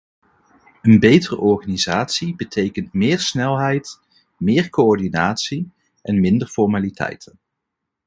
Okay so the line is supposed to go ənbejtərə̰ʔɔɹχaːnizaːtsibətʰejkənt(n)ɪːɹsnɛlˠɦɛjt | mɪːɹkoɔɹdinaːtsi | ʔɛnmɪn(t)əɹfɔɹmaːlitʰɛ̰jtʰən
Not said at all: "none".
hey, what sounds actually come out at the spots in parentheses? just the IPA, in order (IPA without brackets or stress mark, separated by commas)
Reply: m, d